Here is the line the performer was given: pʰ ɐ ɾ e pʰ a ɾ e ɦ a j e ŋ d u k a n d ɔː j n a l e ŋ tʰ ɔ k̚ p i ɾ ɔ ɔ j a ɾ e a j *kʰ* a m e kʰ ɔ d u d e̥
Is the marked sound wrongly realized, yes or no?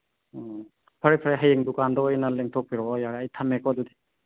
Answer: yes